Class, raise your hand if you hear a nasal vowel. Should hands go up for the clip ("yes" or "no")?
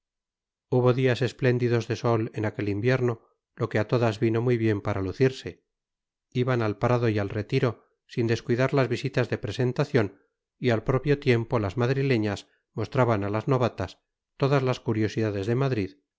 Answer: no